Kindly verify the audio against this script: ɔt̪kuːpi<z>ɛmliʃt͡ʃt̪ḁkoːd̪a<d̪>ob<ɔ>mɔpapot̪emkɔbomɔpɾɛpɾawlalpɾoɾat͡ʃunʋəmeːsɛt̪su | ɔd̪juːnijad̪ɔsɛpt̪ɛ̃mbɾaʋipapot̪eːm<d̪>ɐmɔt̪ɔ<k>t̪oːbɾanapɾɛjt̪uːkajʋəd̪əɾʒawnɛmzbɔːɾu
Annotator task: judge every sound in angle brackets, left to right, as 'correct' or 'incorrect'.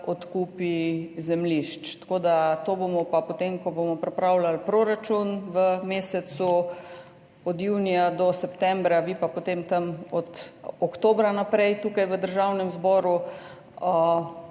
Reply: correct, incorrect, incorrect, incorrect, correct

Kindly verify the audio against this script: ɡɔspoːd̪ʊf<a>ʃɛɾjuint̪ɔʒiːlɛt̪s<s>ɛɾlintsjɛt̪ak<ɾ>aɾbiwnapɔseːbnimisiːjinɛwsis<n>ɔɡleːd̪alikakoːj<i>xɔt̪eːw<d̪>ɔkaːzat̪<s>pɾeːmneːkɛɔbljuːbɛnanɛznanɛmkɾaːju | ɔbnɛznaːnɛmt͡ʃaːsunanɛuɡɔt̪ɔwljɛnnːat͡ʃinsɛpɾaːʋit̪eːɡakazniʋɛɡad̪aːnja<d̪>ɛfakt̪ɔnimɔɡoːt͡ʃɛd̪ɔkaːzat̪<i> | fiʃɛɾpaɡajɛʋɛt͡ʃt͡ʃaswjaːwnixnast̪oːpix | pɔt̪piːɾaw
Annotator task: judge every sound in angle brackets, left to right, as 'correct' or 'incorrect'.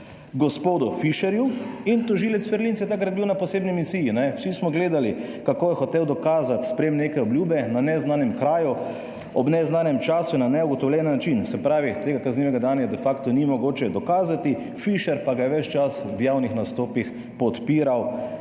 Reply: incorrect, incorrect, correct, incorrect, incorrect, correct, correct, correct, correct

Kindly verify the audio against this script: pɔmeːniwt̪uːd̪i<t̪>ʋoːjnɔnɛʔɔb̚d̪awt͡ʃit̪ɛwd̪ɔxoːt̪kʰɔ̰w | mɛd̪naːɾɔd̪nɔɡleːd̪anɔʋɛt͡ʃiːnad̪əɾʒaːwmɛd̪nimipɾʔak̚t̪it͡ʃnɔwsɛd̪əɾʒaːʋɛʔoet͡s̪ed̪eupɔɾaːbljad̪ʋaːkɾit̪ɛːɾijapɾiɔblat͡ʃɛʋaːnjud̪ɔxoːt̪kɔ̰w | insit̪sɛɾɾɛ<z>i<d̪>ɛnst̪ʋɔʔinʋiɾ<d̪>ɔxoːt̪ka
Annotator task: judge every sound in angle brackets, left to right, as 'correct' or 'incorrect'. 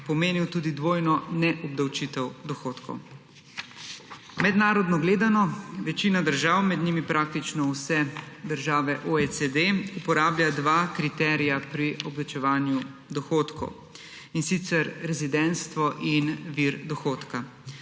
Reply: incorrect, correct, correct, correct

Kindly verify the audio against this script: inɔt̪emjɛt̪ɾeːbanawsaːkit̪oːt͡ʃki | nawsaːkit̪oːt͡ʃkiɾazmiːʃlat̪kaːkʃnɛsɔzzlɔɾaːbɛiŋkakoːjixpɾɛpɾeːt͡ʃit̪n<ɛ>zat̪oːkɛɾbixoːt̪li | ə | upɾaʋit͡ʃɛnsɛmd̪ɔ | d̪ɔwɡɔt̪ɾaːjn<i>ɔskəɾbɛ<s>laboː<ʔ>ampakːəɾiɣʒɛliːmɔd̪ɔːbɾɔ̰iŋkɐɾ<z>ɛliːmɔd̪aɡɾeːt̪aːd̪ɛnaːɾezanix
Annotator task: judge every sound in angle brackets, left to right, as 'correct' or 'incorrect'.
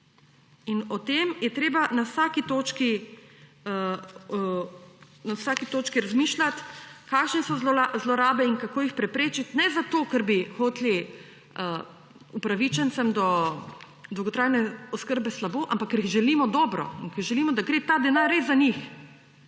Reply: correct, incorrect, correct, correct, incorrect

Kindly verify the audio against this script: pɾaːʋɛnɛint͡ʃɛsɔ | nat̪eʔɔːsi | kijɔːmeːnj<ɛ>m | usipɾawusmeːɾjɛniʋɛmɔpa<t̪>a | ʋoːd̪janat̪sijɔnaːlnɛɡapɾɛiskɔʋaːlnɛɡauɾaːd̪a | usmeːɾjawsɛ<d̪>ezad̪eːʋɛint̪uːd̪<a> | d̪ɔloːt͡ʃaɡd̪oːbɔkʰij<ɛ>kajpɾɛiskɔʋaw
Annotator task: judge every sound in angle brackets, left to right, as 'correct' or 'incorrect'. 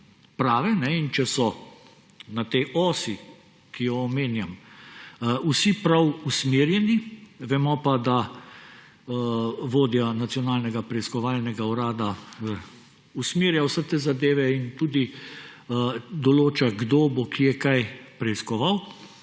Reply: incorrect, incorrect, incorrect, incorrect, correct

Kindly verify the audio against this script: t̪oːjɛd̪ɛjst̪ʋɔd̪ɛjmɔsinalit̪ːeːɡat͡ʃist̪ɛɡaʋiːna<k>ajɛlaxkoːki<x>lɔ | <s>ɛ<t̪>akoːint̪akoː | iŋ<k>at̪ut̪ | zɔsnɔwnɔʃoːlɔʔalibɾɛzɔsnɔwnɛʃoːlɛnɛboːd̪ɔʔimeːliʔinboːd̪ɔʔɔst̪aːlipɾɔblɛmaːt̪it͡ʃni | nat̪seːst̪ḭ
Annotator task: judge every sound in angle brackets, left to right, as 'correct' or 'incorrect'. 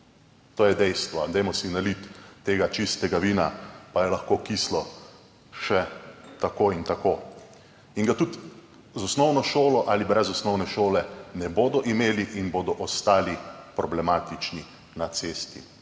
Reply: incorrect, incorrect, incorrect, correct, incorrect

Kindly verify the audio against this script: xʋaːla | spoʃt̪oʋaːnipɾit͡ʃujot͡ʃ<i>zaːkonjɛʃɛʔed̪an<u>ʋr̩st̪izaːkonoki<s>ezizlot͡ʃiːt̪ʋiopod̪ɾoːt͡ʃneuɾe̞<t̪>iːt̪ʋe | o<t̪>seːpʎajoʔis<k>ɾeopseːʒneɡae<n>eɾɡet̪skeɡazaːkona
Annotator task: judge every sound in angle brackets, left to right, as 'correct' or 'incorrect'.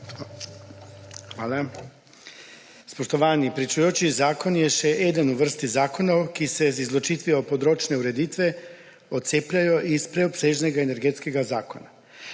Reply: correct, correct, correct, incorrect, correct, incorrect, correct

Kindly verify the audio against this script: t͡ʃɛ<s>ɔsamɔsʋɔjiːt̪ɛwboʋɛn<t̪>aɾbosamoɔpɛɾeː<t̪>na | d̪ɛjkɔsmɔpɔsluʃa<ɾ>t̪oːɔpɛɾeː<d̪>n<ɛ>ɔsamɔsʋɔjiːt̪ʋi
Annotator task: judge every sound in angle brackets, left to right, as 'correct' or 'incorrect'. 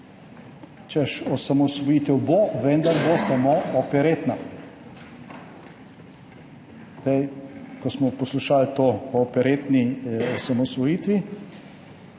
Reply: incorrect, incorrect, correct, incorrect, incorrect, incorrect

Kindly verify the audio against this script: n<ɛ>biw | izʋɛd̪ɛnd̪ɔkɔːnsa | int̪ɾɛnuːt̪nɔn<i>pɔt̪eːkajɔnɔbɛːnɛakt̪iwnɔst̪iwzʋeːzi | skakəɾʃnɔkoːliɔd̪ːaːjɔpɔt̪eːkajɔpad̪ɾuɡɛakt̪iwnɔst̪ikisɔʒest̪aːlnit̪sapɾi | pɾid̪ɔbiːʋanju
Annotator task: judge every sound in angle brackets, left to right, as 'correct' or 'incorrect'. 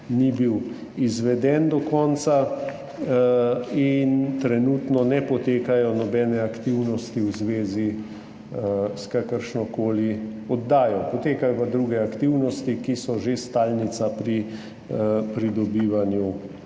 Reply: incorrect, incorrect

